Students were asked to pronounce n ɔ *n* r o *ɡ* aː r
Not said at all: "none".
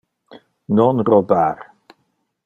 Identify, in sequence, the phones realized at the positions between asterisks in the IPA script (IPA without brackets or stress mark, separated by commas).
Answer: n, b